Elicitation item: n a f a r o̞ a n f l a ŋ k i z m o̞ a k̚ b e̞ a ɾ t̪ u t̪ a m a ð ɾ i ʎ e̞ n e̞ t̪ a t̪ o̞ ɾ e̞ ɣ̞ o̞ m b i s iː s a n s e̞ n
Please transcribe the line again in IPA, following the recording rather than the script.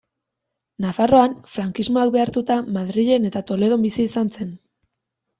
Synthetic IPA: n a f a r o̞ a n f ɾ a ŋ k i z m o̞ a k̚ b e̞ a ɾ t̪ u t̪ a m a ð ɾ i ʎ e̞ n e̞ t̪ a t̪ o̞ l e̞ ð̞ o̞ m b i s iː s a n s e̞ n